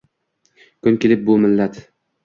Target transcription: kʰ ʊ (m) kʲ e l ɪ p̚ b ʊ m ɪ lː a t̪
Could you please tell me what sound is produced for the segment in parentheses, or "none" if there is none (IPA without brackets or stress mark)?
n